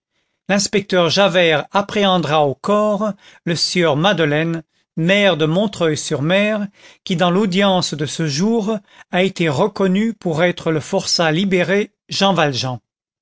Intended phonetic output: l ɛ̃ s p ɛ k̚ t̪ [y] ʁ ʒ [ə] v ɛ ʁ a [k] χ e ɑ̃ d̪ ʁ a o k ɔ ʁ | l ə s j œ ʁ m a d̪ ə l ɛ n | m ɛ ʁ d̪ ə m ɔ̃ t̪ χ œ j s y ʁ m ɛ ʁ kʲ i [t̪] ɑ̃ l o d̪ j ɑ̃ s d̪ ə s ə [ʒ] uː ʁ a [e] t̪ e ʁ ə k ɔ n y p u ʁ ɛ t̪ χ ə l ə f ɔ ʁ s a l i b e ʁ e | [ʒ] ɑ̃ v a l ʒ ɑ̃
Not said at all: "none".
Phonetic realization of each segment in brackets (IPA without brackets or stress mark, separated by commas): œ, a, p, d̪, ʒ, e, ʒ